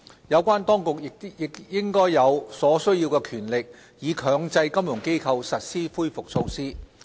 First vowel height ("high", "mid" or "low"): low